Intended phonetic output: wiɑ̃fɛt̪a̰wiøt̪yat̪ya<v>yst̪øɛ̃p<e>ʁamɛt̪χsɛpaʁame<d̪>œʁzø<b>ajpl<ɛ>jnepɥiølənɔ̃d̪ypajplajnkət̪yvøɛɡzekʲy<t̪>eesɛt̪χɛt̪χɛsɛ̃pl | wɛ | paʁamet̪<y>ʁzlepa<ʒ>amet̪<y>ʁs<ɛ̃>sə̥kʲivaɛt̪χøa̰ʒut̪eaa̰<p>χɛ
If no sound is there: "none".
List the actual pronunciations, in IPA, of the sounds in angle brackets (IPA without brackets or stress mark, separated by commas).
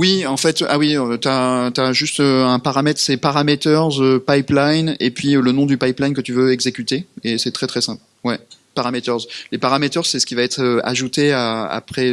ʒ, a, t̪, p, a, t̪, œ, ʁ, œ, ɛ, p